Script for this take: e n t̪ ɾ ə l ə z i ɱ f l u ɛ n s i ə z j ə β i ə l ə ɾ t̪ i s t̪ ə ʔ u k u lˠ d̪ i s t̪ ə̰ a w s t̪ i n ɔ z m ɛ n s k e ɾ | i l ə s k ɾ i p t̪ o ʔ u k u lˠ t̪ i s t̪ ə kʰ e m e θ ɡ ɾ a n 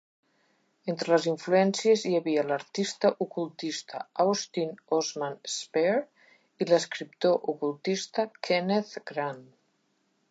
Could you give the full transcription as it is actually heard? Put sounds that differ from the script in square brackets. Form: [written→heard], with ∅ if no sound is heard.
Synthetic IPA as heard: e n t̪ ɾ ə l ə z i ɱ f l u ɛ n s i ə z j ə β i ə l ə ɾ t̪ i s t̪ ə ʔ u k u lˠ [d̪→t̪] i s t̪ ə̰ a w s t̪ i n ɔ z m [ɛ→a] n s [k→p] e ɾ | i l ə s k ɾ i p t̪ o ʔ u k u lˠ t̪ i s t̪ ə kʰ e [m→n] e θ ɡ ɾ a n